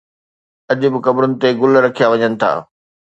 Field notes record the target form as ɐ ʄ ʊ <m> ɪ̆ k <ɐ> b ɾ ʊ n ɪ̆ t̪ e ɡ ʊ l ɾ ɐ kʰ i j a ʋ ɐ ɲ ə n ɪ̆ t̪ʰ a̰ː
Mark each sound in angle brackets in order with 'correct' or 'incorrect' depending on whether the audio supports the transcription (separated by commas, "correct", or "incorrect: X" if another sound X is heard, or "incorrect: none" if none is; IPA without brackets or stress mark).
incorrect: b, correct